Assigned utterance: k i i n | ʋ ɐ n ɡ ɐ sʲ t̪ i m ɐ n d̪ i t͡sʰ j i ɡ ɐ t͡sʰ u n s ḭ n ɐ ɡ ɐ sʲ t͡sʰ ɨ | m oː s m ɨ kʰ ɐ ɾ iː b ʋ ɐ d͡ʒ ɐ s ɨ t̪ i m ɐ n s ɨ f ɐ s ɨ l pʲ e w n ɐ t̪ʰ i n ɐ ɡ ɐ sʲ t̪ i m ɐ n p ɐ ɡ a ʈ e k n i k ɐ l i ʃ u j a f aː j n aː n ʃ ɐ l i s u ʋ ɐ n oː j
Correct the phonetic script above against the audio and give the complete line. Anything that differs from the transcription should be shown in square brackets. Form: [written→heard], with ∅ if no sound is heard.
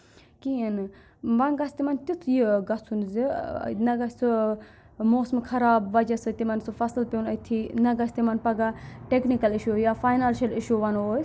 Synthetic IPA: k i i n | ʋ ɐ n ɡ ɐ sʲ t̪ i m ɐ n [d̪→t̪] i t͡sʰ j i ɡ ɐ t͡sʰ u n [s→z] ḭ n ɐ ɡ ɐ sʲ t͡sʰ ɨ | m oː s m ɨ kʰ ɐ ɾ [iː→aː] b ʋ ɐ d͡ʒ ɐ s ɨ t̪ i m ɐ n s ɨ f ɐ s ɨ l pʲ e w n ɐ t̪ʰ i n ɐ ɡ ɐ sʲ t̪ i m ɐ n p ɐ ɡ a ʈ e k n i k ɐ l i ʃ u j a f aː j n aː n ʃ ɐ l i [s→ʃ] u ʋ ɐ n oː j